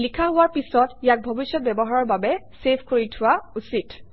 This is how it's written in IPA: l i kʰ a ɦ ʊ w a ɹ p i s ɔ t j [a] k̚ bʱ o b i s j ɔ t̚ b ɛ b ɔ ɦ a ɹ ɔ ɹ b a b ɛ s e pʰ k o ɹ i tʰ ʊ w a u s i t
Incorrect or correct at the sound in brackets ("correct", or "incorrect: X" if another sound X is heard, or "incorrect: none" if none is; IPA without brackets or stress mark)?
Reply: correct